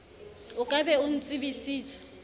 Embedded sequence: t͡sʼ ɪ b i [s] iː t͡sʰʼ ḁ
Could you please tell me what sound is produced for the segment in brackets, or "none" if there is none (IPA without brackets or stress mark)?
s